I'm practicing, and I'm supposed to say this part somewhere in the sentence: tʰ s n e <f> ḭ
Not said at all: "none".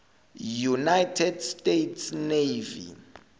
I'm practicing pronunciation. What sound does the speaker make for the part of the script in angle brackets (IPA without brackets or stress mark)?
v